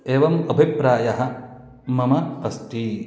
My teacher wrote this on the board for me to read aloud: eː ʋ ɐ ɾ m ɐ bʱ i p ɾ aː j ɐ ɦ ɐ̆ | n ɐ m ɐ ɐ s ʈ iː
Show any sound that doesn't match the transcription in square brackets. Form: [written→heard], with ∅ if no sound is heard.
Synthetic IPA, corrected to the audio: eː ʋ ɐ [ɾ→∅] m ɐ bʱ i p ɾ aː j ɐ ɦ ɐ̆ | [n→m] ɐ m ɐ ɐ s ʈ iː